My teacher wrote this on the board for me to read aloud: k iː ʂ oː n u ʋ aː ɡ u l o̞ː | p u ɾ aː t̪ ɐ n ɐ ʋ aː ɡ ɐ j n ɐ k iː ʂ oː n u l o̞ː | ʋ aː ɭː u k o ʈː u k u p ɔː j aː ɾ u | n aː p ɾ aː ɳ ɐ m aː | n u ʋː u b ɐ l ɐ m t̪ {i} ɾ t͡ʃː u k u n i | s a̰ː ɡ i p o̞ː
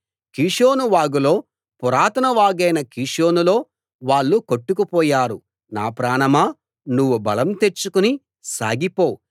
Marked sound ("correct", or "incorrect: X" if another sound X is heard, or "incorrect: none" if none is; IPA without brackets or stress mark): incorrect: e